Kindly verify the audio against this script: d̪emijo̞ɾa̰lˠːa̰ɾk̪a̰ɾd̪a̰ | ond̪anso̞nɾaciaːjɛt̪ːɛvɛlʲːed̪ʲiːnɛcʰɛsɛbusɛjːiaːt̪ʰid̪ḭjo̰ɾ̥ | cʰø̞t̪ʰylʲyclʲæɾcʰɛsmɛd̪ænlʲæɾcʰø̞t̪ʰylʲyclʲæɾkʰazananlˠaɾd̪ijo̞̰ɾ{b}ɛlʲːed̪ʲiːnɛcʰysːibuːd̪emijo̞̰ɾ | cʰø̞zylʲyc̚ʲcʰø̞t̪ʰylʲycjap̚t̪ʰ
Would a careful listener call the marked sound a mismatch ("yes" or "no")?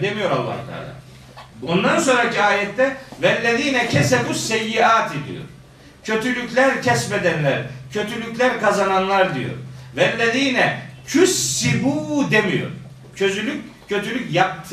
yes